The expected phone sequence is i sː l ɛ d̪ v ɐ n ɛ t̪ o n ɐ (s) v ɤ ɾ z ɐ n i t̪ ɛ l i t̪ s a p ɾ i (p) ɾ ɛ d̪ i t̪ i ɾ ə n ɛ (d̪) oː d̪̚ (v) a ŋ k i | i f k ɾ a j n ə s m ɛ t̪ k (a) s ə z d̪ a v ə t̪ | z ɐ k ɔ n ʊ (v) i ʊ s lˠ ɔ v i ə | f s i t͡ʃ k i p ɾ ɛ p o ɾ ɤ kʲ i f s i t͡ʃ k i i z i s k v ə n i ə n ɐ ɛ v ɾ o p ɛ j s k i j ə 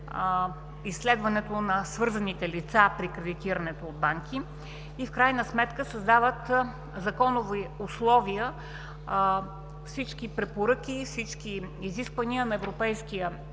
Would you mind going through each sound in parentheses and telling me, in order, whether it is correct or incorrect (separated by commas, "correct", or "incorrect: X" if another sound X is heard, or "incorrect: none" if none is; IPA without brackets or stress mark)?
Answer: correct, incorrect: k, incorrect: t̪, incorrect: b, incorrect: ə, correct